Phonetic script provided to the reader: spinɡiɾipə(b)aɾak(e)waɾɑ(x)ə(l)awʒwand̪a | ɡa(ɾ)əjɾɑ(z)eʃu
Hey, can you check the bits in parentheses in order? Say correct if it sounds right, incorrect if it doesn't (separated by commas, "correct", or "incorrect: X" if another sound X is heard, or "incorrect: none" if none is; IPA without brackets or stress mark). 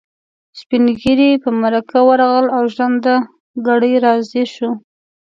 incorrect: m, incorrect: a, incorrect: ɣ, correct, incorrect: ɽ, correct